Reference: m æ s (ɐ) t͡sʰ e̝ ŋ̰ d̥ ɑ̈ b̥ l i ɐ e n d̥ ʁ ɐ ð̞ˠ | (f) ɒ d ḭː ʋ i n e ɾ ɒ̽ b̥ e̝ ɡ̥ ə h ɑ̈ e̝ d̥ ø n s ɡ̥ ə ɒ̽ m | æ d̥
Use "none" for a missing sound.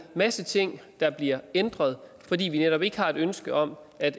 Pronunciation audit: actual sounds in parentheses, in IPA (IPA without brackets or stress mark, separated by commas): ə, f